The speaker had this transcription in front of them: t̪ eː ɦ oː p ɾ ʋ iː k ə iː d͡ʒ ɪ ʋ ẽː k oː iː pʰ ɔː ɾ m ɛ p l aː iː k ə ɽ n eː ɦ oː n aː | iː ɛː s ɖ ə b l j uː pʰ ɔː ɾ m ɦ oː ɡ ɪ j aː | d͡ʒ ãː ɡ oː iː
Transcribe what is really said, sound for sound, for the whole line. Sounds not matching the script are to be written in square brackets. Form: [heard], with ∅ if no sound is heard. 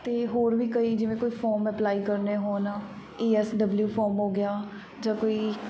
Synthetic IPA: t̪ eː ɦ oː [∅] ɾ ʋ iː k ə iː d͡ʒ ɪ ʋ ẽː k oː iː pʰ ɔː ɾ m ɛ p l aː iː k ə [ɾ] n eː ɦ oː n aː | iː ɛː s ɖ ə b l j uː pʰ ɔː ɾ m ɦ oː ɡ ɪ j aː | d͡ʒ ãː [k] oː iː